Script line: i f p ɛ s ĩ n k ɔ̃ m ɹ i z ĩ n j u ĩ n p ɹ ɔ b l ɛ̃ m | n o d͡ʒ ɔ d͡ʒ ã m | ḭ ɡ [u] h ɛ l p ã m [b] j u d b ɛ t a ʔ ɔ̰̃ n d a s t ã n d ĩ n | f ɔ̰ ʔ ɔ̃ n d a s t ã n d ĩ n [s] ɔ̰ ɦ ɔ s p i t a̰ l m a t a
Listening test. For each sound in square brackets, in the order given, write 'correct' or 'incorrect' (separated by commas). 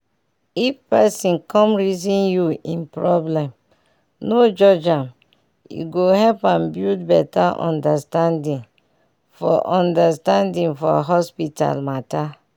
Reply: incorrect, correct, incorrect